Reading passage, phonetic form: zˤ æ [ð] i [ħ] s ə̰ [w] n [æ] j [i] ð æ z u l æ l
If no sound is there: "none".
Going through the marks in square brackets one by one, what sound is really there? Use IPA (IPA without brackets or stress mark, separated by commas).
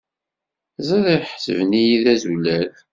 ð, ħ, v, i, i